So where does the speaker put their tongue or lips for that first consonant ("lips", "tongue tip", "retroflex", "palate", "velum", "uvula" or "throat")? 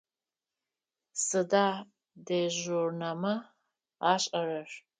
tongue tip